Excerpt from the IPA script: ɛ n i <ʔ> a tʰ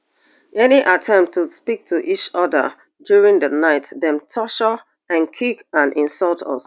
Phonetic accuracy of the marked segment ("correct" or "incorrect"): correct